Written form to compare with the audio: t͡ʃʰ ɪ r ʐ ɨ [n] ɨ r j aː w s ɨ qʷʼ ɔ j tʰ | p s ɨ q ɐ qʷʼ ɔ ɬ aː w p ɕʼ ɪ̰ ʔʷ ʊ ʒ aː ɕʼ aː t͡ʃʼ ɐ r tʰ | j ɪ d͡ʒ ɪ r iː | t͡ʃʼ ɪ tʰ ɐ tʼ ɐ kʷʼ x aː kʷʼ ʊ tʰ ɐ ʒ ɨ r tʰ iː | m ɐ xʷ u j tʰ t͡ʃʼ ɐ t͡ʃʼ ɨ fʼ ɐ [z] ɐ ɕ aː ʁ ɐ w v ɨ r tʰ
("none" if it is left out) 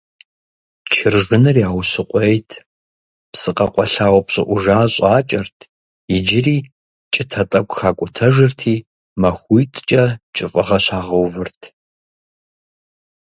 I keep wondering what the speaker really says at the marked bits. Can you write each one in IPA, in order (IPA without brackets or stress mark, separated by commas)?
n, ʁ